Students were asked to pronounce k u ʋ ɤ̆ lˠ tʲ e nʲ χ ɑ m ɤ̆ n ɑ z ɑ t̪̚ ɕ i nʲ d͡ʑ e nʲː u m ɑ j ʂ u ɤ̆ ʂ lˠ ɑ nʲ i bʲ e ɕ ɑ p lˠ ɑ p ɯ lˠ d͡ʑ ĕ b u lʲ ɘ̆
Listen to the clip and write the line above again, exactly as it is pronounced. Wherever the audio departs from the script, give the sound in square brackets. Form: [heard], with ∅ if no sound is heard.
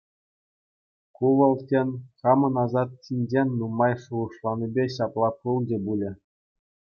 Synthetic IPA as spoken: k u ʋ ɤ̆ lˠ tʲ e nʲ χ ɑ m ɤ̆ n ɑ z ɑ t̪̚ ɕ i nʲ d͡ʑ e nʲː u m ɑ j ʂ u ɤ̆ ʂ lˠ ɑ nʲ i bʲ e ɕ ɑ p lˠ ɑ p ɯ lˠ d͡ʑ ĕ b u lʲ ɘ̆

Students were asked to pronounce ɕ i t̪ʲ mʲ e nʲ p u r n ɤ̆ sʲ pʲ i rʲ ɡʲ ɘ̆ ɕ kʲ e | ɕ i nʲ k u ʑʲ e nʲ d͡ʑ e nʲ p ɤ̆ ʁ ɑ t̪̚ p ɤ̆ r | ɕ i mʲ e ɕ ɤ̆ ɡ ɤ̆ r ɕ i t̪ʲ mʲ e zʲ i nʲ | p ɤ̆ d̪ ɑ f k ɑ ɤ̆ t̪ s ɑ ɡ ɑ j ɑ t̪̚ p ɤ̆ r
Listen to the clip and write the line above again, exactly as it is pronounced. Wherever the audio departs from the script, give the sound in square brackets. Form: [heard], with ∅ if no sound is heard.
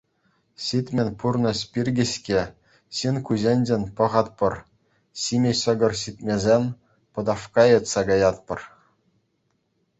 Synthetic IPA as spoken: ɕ i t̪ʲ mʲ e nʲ p u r n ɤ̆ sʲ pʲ i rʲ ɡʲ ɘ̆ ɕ kʲ e | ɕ i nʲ k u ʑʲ e nʲ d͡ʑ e nʲ p ɤ̆ ʁ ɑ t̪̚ p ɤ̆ r | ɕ i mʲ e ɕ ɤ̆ ɡ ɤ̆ r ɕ i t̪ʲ mʲ e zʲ [e] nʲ | p ɤ̆ d̪ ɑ f k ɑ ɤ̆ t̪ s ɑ ɡ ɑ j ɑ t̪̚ p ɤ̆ r

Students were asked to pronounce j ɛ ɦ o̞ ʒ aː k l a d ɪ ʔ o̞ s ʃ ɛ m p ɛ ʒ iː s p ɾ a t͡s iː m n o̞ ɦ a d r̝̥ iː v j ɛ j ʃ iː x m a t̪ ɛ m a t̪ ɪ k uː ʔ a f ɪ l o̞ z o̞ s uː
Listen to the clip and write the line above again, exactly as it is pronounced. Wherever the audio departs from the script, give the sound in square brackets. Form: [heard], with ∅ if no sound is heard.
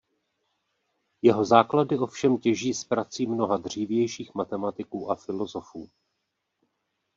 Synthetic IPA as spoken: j ɛ ɦ o̞ [z] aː k l a d ɪ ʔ o̞ [f] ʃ ɛ m [c] ɛ ʒ iː s p ɾ a t͡s iː m n o̞ ɦ a d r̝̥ iː v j ɛ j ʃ iː x m a t̪ ɛ m a t̪ ɪ k uː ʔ a f ɪ l o̞ z o̞ [f] uː

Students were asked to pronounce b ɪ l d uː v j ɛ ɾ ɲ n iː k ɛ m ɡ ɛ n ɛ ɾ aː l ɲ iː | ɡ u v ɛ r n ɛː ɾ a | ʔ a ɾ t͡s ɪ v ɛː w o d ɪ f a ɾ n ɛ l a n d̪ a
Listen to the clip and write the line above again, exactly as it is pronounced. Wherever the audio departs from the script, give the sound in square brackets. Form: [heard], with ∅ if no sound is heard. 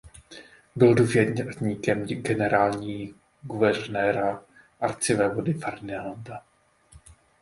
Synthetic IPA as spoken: b ɪ l d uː v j ɛ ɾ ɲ [ɲ] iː k ɛ m ɡ ɛ n ɛ ɾ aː l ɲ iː | ɡ u v ɛ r n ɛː ɾ a | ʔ a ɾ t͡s ɪ v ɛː [v] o d ɪ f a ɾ n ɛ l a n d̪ a

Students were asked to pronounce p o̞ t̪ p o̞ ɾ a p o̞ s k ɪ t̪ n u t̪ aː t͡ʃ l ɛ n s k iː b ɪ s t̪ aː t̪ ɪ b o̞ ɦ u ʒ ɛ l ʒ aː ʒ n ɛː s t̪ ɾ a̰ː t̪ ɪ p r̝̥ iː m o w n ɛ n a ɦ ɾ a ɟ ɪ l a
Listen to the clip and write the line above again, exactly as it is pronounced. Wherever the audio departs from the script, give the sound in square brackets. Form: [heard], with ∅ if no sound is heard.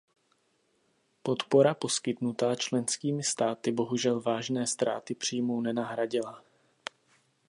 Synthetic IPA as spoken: p o̞ t̪ p o̞ ɾ a p o̞ s k ɪ t̪ n u t̪ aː t͡ʃ l ɛ n s k iː [m] ɪ s t̪ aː t̪ ɪ b o̞ ɦ u ʒ ɛ l [v] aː ʒ n ɛː s t̪ ɾ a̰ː t̪ ɪ p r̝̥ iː m o w n ɛ n a ɦ ɾ a ɟ ɪ l a

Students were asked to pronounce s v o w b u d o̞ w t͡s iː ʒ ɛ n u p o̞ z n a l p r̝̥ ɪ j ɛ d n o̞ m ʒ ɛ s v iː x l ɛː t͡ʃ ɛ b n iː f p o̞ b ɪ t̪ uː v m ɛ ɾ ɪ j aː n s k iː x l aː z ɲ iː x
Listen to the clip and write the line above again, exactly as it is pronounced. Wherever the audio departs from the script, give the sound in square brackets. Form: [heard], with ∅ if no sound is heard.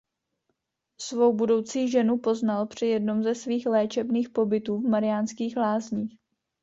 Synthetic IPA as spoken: s v o w b u d o̞ w t͡s iː ʒ ɛ n u p o̞ z n a l p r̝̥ ɪ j ɛ d n o̞ m [z] ɛ s v iː x l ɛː t͡ʃ ɛ b n iː [x] p o̞ b ɪ t̪ uː v m [a] ɾ ɪ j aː n s k iː x l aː z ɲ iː x

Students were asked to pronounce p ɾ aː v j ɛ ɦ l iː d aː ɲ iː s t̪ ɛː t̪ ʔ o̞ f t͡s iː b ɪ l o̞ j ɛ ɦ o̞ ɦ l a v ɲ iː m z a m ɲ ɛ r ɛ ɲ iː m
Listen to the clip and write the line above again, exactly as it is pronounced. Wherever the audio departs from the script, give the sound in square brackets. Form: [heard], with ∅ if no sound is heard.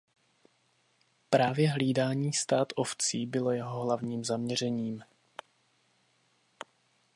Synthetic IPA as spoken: p ɾ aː v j ɛ ɦ l iː d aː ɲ iː s t̪ [aː] t̪ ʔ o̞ f t͡s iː b ɪ l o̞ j ɛ ɦ o̞ ɦ l a v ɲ iː m z a m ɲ ɛ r ɛ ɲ iː m

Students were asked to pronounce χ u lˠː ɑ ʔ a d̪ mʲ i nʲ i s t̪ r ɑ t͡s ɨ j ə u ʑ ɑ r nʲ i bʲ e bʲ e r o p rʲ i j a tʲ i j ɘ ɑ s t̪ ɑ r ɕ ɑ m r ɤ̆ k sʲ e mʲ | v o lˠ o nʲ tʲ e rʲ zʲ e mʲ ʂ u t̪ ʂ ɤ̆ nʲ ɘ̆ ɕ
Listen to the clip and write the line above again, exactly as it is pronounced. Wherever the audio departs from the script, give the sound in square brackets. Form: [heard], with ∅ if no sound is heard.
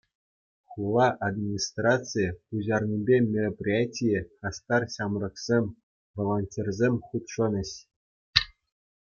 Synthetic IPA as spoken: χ u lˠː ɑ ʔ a d̪ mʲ i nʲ i s t̪ r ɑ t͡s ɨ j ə u ʑ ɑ r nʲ i bʲ e [mʲ] e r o p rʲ i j a tʲ i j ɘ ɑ s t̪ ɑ r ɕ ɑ m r ɤ̆ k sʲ e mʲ | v o lˠ o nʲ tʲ e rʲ zʲ e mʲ [χ] u t̪ ʂ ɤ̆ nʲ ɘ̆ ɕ

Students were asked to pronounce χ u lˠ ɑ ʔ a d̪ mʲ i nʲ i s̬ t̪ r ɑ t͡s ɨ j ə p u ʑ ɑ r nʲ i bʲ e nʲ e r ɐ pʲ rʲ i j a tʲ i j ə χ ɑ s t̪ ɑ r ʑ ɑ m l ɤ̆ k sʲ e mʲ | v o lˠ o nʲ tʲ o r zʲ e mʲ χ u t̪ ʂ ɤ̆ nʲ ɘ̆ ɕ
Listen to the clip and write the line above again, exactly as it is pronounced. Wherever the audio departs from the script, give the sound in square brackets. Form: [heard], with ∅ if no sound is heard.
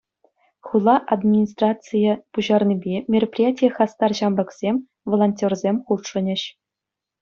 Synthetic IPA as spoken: χ u lˠ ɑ ʔ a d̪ mʲ i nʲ i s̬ t̪ r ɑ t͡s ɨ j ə p u ʑ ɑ r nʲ i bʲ e [mʲ] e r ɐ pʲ rʲ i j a tʲ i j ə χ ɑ s t̪ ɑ r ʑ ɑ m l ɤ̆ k sʲ e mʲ | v o lˠ o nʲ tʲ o r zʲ e mʲ χ u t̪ ʂ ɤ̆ nʲ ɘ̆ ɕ

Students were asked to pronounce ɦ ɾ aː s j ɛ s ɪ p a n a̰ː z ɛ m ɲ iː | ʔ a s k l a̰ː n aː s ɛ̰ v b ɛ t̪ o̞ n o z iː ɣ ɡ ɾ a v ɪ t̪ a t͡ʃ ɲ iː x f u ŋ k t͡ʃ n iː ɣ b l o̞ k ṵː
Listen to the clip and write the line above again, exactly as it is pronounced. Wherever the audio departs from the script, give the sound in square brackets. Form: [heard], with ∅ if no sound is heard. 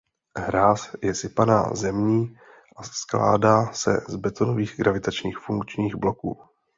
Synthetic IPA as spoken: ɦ ɾ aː s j ɛ s ɪ p a n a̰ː z ɛ m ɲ iː | ʔ a s k l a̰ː [d] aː s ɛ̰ [z] b ɛ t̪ o̞ n o [v] iː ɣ ɡ ɾ a v ɪ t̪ a t͡ʃ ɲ iː x f u ŋ k t͡ʃ [ɲ] iː ɣ b l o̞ k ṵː

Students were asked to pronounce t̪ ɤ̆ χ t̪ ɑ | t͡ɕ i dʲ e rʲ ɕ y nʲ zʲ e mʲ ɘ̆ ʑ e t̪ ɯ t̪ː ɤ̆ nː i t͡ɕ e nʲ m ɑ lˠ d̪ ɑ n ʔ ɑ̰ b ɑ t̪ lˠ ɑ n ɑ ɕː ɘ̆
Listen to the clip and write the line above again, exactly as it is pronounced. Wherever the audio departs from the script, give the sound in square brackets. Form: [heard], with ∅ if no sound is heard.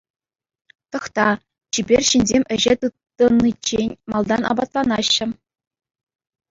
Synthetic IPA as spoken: t̪ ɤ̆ χ t̪ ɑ | t͡ɕ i [bʲ] e rʲ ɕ [i] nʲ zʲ e mʲ ɘ̆ ʑ e t̪ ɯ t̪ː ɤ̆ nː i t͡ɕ e nʲ m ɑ lˠ d̪ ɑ n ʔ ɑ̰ b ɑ t̪ lˠ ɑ n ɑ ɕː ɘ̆

